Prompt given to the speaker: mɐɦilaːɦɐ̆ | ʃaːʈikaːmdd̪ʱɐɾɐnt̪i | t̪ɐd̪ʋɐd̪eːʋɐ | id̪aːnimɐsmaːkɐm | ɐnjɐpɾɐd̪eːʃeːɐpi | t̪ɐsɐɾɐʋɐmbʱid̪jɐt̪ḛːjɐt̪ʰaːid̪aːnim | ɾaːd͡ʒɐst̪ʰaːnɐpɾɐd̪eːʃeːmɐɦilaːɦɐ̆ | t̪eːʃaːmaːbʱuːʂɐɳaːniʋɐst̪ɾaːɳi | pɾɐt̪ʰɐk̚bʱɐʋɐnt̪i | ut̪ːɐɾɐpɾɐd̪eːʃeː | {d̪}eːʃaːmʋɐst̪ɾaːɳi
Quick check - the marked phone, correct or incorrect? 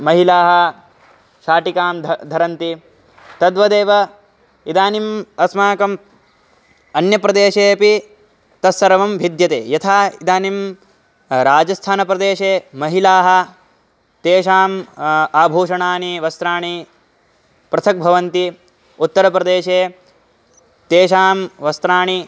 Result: incorrect